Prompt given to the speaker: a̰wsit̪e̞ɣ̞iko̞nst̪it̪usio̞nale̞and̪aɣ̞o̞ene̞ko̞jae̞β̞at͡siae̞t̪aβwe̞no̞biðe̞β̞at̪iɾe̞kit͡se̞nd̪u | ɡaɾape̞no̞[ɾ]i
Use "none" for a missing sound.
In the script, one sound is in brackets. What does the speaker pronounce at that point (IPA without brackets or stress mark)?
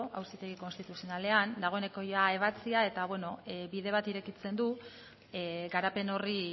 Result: r